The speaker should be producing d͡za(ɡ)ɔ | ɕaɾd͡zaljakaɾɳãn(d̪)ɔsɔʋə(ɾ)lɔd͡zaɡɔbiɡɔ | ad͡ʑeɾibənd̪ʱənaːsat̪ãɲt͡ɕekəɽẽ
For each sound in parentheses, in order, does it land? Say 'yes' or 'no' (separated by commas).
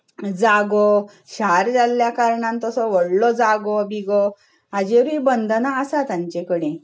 yes, no, no